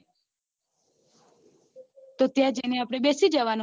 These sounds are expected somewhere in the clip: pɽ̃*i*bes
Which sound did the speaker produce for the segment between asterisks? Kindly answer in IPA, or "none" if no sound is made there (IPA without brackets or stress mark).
e